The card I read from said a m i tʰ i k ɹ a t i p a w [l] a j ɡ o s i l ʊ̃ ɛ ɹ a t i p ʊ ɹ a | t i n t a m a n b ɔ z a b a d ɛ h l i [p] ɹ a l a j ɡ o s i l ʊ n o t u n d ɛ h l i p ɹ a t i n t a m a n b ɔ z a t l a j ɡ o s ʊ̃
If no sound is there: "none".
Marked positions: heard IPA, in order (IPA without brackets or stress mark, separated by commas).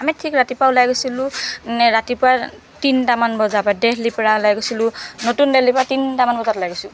l, p